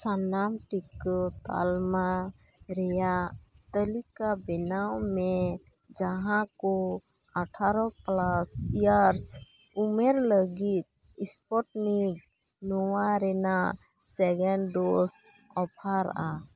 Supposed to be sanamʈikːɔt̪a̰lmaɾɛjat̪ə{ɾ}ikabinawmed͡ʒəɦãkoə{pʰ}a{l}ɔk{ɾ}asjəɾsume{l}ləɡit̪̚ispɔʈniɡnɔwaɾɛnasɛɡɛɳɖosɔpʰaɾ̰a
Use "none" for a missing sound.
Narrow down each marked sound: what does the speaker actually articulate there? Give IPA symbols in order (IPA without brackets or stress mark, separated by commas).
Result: l, ʈʰ, ɾ, l, ɾ